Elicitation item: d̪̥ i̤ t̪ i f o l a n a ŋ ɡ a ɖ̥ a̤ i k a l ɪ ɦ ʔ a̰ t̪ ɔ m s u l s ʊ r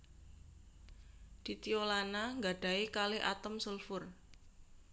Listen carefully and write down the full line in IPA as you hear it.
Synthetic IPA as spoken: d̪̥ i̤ t̪ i o l a n a ŋ ɡ a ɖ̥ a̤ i k a l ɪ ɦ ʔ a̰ t̪ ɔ m s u l f ʊ r